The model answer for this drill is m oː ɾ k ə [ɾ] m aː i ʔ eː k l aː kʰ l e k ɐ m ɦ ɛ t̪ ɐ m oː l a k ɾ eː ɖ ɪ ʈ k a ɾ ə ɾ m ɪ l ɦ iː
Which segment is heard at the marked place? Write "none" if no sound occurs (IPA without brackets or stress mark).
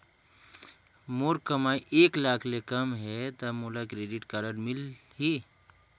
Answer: none